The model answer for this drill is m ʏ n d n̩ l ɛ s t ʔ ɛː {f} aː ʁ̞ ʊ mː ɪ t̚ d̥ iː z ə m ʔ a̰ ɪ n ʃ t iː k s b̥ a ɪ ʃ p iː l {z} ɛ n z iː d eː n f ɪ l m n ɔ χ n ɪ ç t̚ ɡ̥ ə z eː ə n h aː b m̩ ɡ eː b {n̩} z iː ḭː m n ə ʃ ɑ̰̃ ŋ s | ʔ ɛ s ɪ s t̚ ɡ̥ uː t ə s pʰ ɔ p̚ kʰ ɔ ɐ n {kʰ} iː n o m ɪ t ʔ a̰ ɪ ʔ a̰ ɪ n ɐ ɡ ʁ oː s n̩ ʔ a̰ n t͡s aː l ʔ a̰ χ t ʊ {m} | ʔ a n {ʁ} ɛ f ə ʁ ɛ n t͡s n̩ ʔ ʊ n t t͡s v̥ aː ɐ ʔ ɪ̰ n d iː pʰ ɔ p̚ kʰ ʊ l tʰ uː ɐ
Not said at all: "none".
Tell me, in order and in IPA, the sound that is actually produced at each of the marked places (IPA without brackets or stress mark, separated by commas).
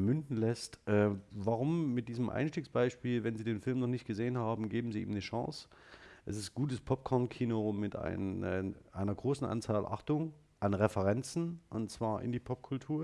v, v, m̩, kʰ, ŋ, ʁ